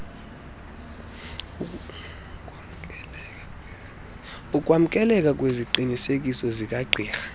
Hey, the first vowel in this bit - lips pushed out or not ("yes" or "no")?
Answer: yes